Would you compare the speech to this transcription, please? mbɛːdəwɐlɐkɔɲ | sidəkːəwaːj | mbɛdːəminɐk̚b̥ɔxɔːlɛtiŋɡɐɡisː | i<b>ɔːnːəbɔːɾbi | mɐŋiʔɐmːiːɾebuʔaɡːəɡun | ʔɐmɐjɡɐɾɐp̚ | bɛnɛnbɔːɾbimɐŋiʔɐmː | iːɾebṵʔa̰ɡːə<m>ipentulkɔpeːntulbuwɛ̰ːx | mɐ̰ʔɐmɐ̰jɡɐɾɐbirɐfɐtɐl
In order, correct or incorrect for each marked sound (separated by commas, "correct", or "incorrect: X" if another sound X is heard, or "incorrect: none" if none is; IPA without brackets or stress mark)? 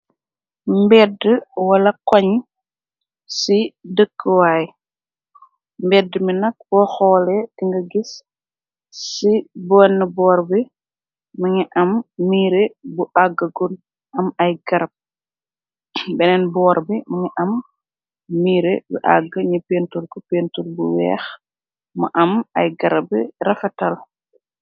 correct, incorrect: ɲ